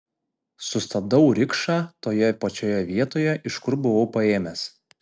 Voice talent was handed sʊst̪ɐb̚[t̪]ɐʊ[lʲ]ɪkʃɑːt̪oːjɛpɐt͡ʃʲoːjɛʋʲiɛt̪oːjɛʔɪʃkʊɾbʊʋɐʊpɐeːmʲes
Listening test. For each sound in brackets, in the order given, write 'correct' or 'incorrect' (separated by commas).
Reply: incorrect, incorrect